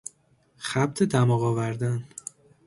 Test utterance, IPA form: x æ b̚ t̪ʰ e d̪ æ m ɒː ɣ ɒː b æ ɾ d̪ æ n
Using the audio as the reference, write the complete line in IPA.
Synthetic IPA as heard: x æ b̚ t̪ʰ e d̪ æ m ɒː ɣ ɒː v æ ɾ d̪ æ n